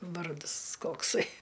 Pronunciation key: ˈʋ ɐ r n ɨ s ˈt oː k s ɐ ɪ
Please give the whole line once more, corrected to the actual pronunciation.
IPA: ˈʋ ɐ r d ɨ s ˈk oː k s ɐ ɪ